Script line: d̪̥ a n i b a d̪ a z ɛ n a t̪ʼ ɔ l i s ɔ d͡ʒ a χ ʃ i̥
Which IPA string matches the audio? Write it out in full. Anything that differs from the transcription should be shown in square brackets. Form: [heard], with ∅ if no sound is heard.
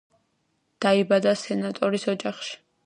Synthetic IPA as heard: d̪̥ a [∅] i b a d̪ a [s] ɛ n a t̪ʼ ɔ [ɾ] i s ɔ d͡ʒ a χ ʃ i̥